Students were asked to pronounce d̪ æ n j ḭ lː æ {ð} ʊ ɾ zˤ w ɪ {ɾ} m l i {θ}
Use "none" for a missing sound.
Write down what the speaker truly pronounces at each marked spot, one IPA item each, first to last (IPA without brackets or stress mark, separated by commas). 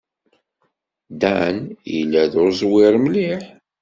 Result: ð, ɾ, ħ